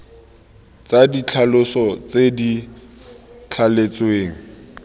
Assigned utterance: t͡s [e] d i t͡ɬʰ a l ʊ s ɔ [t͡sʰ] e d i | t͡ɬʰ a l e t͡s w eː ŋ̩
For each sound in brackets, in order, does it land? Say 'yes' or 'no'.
no, no

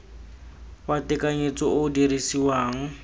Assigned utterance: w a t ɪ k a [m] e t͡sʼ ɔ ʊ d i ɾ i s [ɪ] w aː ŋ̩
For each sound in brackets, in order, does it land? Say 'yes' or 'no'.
no, no

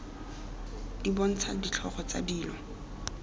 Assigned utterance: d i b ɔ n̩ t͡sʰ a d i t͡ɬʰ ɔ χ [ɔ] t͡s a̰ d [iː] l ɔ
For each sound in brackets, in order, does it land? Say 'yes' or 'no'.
yes, yes

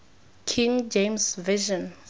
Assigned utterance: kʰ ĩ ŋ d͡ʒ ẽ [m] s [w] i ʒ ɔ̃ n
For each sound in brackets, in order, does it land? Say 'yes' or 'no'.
yes, no

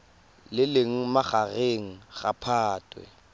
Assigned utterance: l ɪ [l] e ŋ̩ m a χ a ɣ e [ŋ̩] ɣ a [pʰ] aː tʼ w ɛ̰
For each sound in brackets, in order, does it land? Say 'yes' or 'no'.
yes, yes, yes

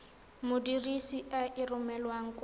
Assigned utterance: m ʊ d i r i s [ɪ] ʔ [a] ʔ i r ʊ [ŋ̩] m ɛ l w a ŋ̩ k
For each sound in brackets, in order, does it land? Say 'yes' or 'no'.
no, yes, no

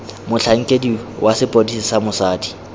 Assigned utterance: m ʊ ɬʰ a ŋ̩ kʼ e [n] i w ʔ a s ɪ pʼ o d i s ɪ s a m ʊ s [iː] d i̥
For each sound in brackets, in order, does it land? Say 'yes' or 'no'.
no, no

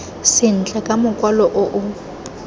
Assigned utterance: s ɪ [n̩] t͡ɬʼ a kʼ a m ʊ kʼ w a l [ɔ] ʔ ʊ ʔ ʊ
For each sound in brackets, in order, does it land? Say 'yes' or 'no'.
yes, yes

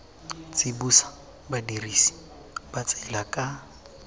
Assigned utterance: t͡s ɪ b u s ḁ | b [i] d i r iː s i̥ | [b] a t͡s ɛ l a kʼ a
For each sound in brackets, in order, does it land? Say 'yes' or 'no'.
no, yes

